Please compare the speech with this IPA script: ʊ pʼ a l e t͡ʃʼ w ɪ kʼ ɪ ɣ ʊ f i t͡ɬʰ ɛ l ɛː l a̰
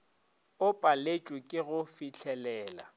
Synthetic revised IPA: ʊ pʼ a l e t͡ʃʼ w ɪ kʼ ɪ ɣ ʊ f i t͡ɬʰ ɛ l ɛː l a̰